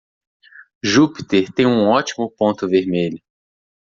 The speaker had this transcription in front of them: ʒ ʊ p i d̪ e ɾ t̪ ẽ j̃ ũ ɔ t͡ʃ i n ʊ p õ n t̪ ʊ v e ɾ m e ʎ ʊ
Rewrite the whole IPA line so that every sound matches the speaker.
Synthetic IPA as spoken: ʒ u p i t̪ e ɾ t̪ ẽ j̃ ũ ɔ t͡ʃ i m ʊ p õ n t̪ ʊ v e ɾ m e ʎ ʊ